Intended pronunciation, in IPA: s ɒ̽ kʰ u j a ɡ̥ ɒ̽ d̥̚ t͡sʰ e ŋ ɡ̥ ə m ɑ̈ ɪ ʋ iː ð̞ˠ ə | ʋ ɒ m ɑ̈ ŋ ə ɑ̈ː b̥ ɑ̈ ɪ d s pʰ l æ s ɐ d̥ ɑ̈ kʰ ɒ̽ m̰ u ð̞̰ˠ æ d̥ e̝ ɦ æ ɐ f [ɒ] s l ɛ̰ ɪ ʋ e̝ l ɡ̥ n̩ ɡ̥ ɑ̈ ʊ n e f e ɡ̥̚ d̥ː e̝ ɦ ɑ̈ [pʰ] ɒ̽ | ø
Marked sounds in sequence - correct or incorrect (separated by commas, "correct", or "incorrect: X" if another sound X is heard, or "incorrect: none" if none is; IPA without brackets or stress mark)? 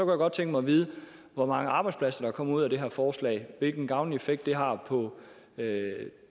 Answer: incorrect: ɒː, correct